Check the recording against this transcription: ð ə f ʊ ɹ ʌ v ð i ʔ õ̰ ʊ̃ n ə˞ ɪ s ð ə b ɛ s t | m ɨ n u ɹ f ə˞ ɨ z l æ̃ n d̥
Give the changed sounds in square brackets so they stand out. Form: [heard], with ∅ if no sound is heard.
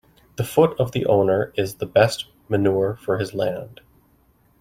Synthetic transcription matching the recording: ð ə f ʊ [ɾ] ʌ v ð i ʔ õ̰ ʊ̃ n ə˞ ɪ [z] ð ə b ɛ s t | m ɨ n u ɹ f ə˞ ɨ z l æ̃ n d̥